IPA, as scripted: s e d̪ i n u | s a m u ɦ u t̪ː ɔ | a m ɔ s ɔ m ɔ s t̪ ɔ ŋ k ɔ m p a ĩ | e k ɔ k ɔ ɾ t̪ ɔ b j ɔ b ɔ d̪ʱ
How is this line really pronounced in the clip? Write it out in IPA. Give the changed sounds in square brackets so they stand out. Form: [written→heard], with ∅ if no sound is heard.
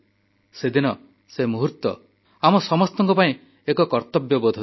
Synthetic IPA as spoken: s e d̪ i n [u→ɔ] | s [a→e] m u ɦ u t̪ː ɔ | a m ɔ s ɔ m ɔ s t̪ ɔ ŋ k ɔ [m→∅] p a ĩ | e k ɔ k ɔ ɾ t̪ ɔ b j ɔ b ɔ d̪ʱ